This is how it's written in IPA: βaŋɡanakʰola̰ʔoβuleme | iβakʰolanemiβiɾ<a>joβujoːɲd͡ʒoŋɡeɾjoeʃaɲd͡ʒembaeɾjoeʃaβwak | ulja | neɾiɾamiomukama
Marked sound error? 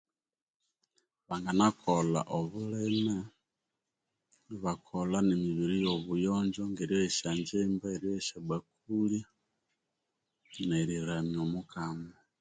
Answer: yes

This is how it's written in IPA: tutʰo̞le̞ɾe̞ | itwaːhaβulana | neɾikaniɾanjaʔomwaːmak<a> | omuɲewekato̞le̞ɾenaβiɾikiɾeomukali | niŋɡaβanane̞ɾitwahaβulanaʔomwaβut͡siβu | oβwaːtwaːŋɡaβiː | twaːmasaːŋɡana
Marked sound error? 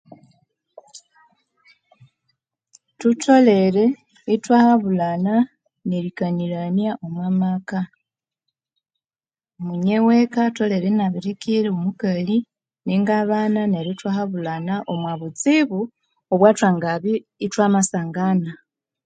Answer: no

